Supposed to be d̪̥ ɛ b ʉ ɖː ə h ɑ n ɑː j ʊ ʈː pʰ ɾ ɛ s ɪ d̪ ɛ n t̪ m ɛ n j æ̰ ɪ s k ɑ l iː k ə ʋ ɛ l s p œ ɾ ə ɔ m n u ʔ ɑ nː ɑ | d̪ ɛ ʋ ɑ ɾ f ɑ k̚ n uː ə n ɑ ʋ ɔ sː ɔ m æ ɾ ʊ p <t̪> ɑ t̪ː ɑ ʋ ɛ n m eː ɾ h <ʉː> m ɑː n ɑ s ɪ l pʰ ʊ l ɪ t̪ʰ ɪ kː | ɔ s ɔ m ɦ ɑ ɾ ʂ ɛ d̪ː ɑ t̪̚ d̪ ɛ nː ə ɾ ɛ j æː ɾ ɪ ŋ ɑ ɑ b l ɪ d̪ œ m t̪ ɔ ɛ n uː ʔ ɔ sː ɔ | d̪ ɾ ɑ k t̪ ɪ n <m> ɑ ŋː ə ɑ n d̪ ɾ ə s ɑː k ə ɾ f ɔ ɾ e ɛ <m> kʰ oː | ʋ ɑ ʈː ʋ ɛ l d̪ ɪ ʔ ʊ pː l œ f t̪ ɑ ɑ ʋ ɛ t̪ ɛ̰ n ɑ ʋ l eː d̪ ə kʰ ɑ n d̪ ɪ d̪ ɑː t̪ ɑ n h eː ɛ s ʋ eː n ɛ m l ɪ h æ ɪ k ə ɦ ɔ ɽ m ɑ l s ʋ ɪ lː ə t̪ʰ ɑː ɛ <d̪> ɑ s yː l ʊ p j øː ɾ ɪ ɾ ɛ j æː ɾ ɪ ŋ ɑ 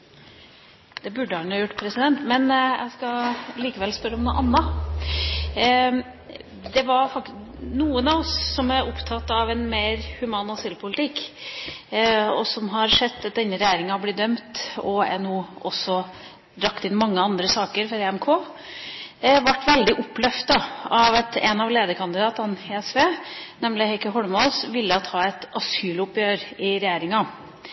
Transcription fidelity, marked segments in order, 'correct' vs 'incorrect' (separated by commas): incorrect, incorrect, correct, correct, incorrect